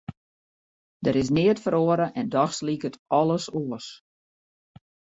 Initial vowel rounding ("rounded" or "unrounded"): unrounded